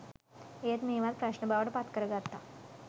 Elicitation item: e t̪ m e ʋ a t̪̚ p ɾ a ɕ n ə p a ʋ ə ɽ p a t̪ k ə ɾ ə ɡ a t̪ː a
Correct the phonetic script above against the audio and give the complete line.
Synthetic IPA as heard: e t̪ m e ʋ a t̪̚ p ɾ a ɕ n ə b a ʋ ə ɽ p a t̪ k ə ɾ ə ɡ a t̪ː a

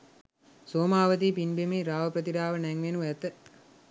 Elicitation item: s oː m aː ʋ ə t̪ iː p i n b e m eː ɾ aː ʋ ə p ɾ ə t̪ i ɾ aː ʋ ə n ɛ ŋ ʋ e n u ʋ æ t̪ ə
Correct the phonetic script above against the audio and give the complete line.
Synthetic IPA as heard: s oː m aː ʋ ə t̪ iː p i n b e m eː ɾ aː ʋ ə p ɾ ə t̪ i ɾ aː ʋ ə n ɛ ŋ ʋ e n u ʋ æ t̪ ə

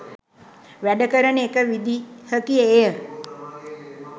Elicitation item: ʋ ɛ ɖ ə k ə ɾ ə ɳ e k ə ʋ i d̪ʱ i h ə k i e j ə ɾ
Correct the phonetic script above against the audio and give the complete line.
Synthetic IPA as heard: ʋ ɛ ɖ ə k ə ɾ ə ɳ e k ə ʋ i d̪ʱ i h ə k i e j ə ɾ

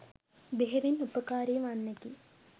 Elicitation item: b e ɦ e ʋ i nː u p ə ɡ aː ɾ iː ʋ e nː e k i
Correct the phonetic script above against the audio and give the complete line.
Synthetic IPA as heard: b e ɦ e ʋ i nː u p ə k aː ɾ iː ʋ a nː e k i

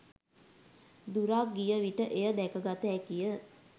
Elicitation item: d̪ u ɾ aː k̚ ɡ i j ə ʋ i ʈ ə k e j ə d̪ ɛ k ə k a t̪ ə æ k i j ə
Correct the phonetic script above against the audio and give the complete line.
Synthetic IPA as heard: d̪ u ɾ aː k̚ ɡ i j ə ʋ i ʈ ə ʔ e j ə d̪ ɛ k ə ɡ a t̪ ə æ k i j ə

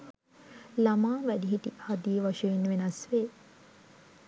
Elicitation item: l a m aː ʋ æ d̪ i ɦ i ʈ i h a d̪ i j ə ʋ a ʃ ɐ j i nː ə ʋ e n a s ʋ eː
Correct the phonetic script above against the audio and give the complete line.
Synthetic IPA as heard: l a m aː ʋ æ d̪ i ɦ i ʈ i h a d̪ i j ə ʋ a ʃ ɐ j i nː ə ʋ e n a s ʋ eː

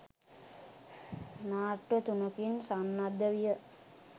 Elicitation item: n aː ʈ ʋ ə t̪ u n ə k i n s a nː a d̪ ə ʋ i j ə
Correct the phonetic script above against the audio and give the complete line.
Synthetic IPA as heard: n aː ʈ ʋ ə t̪ u n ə k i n s a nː a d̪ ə ʋ i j ə

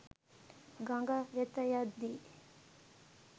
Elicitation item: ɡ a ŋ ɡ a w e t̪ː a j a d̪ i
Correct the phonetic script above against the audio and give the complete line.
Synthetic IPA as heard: ɡ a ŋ ɡ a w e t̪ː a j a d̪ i

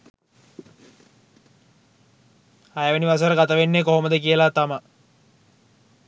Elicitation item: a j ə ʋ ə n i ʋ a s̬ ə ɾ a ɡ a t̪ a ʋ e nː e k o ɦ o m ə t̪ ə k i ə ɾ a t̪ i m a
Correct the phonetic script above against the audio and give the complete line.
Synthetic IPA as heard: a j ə ʋ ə n i ʋ a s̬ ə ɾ ə ɡ a t̪ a ʋ e nː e k o ɦ o m ə d̪ ə k i ə l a t̪ a m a

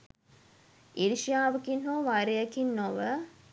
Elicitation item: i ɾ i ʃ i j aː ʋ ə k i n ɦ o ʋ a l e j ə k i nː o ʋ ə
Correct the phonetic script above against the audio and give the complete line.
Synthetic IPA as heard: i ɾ i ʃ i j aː ʋ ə k i n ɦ o ʋ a ɾ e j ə k i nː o ʋ ə

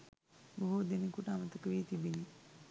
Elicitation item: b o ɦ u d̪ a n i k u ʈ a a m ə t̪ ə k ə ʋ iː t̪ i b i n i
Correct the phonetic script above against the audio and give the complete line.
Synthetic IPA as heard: b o ɦ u d̪ e n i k u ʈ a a m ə t̪ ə k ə ʋ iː t̪ i b i n i

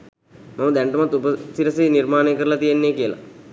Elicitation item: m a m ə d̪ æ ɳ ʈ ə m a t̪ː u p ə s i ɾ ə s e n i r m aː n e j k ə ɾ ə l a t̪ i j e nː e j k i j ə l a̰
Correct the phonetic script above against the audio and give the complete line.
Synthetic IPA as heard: m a m ə d̪ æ ɳ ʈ ə m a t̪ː u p ə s i ɾ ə s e n i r m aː n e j k ə ɾ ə l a t̪ i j e nː e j k i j ə l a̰

